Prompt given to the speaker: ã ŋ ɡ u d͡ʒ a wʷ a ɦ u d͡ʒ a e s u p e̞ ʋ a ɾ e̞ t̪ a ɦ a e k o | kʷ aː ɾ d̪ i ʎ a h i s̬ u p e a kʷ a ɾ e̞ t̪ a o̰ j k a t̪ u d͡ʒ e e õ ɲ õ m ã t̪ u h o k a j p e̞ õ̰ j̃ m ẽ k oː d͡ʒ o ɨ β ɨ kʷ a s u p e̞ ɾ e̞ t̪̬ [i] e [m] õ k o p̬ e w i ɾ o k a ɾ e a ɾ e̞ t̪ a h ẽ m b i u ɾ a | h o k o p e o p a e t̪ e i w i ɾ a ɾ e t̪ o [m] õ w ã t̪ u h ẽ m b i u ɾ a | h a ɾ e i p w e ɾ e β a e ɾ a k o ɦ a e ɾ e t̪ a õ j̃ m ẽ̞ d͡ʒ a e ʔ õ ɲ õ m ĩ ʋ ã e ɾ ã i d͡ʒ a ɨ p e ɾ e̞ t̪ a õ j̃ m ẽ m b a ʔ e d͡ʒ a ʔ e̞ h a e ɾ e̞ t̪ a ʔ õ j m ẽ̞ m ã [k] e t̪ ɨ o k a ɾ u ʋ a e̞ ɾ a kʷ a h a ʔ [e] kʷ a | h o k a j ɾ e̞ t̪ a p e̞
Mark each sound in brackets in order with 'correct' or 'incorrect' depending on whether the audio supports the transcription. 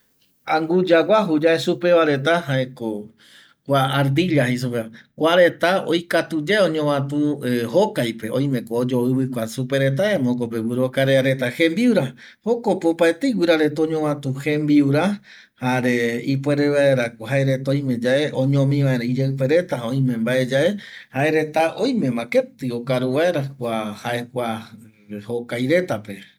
incorrect, correct, incorrect, correct, correct

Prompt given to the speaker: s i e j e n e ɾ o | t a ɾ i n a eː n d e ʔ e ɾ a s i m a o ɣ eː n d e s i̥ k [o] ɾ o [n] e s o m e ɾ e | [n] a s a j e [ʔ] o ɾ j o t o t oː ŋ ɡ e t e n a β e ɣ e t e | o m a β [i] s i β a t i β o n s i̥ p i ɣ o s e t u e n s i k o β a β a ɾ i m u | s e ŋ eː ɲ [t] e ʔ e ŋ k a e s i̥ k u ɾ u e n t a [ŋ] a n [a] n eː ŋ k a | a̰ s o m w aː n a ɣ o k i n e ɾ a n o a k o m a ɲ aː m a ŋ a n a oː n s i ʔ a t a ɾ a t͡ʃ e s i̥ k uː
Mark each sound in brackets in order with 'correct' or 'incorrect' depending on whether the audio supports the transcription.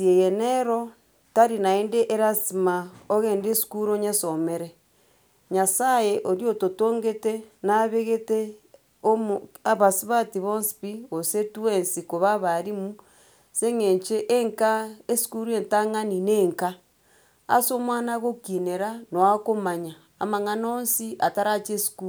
incorrect, incorrect, incorrect, correct, incorrect, incorrect, correct, incorrect

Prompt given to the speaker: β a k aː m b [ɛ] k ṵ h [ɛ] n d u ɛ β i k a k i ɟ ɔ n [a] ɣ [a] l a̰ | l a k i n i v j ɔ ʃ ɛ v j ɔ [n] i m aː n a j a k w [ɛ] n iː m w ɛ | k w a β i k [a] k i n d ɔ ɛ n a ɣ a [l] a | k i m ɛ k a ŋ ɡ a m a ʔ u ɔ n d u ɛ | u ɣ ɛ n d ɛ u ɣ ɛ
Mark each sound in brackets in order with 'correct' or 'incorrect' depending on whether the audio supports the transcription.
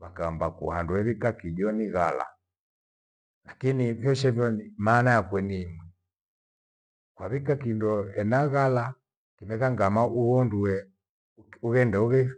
incorrect, incorrect, incorrect, correct, correct, correct, correct, correct

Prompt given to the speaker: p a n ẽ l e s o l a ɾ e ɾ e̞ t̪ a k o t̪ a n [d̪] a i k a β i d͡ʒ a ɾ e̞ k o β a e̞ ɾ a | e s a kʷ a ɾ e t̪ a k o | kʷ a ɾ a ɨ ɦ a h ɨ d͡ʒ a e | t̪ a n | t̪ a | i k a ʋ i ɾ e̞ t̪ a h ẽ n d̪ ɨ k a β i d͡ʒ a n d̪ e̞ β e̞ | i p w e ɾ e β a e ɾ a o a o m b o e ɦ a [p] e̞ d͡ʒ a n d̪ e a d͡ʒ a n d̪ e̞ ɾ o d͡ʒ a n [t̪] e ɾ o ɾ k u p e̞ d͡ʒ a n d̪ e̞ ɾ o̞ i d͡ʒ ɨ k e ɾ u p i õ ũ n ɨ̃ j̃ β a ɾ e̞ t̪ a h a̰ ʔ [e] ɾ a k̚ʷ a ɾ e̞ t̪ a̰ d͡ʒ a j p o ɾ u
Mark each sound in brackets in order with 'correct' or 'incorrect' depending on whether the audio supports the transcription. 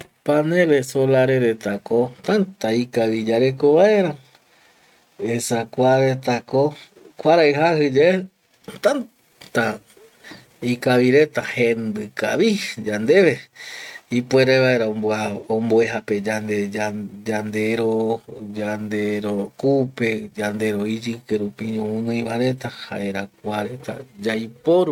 incorrect, correct, incorrect, correct

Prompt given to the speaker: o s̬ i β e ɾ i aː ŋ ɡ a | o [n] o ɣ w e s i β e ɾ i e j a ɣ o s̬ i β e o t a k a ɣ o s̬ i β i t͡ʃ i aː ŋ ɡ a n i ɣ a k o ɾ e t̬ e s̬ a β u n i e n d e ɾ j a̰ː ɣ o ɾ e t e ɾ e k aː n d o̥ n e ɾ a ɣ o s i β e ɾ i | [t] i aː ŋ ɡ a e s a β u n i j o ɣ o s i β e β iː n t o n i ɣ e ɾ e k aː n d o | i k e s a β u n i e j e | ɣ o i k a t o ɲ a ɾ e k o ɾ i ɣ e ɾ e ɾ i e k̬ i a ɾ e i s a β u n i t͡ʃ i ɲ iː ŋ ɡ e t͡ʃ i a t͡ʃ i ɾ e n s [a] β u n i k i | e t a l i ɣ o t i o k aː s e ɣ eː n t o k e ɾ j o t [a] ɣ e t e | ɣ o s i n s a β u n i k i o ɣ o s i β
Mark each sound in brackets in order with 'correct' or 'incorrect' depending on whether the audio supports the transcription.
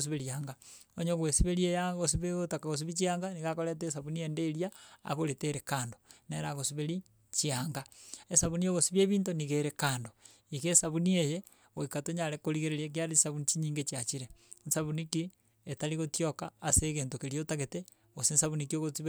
incorrect, incorrect, correct, correct

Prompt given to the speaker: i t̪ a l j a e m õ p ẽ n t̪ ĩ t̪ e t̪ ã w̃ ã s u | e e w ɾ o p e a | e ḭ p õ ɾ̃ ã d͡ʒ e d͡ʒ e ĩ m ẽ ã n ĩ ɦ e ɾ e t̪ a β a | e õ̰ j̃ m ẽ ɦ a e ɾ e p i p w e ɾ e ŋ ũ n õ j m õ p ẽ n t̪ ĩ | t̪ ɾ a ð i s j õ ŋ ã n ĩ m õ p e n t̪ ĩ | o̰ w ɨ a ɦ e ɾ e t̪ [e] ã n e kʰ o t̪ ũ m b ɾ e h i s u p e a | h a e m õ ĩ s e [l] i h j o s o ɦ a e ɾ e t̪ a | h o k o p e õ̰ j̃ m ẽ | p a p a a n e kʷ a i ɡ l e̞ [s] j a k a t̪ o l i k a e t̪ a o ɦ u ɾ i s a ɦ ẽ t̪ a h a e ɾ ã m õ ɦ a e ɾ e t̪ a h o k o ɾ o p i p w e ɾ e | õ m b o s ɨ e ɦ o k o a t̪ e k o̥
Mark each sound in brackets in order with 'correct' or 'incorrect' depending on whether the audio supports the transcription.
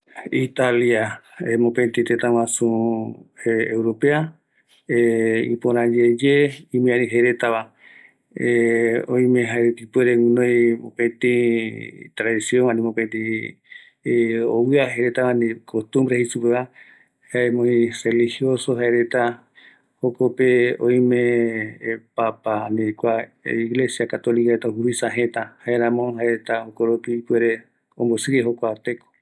incorrect, correct, correct

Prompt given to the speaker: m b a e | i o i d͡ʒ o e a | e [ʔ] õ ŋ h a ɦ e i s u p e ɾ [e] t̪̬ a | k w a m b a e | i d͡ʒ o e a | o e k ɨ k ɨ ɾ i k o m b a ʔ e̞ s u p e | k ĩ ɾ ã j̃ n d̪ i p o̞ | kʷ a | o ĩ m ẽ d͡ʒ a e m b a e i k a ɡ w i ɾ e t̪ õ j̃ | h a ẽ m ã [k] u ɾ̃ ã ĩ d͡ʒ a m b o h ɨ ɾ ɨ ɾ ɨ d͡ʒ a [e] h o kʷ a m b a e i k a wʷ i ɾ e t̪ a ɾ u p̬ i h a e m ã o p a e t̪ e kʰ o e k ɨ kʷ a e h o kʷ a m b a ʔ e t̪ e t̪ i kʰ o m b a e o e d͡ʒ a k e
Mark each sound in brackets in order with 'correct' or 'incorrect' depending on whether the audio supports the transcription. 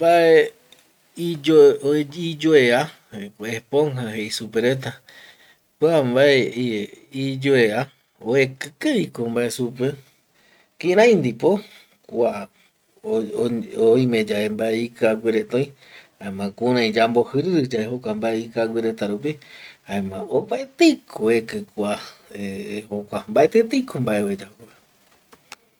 incorrect, correct, correct, correct

